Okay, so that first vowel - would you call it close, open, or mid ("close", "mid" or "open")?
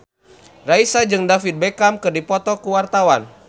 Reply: open